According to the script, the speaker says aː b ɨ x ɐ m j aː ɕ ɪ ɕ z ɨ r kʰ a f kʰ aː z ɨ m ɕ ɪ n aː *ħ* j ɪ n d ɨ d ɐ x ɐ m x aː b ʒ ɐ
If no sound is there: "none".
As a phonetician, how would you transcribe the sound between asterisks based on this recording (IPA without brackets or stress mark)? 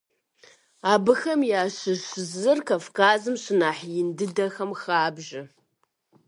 ħ